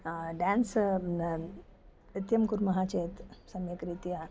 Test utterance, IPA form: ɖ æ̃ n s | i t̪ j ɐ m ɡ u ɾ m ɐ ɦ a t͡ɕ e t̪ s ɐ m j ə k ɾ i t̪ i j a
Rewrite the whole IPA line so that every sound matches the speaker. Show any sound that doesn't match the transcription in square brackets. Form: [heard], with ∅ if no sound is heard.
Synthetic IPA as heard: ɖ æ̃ n s | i t̪ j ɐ m [k] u ɾ m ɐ ɦ a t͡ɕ e t̪ s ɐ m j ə k ɾ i t̪ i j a